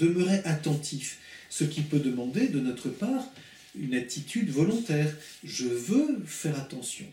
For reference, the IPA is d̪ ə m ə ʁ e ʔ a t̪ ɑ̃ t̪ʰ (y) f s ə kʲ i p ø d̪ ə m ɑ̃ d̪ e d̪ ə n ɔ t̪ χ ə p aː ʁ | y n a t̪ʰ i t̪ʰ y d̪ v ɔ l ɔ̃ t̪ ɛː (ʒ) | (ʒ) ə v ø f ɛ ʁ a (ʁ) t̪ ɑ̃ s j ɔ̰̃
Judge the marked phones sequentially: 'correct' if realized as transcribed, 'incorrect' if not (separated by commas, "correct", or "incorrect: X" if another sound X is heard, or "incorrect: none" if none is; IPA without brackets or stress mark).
incorrect: i, incorrect: ʁ, correct, incorrect: none